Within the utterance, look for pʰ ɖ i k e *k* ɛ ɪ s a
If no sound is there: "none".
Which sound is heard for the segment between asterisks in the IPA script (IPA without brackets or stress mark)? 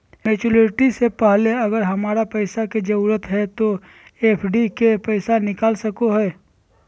p